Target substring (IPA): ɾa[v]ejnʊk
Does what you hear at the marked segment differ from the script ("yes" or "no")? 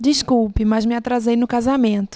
yes